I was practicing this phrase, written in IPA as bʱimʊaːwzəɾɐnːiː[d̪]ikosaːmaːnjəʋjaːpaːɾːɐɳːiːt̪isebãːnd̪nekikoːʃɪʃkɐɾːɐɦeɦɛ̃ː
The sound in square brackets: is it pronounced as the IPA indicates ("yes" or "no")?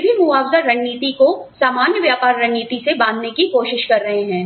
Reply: no